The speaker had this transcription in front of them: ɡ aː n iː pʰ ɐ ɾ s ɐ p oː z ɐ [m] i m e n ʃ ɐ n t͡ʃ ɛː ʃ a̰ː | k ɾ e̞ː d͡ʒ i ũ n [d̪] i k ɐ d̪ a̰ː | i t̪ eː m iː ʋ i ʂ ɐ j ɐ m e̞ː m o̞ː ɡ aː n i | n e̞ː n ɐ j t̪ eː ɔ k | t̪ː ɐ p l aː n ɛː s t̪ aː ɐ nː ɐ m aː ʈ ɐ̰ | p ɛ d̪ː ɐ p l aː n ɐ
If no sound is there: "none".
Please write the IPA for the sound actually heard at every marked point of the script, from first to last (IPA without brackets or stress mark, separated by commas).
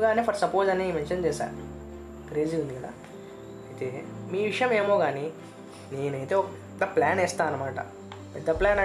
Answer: n, d̪